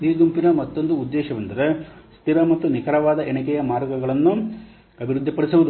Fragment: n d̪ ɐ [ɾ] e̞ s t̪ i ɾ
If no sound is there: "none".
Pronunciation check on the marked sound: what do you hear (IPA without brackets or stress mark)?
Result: ɾ